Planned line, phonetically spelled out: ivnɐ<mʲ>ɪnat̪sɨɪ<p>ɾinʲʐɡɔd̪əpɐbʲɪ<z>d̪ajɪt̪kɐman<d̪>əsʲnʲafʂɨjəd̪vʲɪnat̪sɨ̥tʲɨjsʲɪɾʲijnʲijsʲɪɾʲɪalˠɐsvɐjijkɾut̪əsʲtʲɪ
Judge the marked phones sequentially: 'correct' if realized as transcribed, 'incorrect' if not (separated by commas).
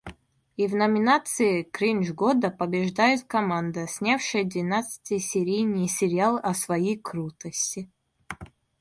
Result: correct, incorrect, incorrect, correct